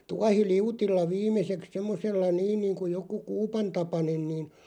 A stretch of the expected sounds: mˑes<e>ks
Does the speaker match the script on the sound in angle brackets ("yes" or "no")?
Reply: yes